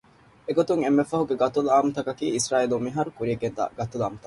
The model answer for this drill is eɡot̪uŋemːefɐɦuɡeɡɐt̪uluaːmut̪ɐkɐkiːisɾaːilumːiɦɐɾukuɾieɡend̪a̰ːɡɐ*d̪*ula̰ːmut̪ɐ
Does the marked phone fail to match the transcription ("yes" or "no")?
yes